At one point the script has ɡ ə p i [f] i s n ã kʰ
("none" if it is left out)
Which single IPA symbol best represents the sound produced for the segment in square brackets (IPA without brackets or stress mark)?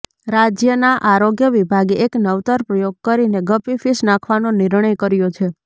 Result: f